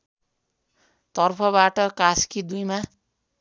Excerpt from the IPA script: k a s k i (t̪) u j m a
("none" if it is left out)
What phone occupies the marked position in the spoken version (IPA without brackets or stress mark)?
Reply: d̪